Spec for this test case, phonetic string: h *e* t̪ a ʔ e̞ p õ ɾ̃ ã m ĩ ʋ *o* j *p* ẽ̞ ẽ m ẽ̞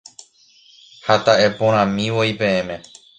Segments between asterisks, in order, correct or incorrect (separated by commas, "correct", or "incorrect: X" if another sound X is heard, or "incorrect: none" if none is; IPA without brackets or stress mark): incorrect: a, correct, correct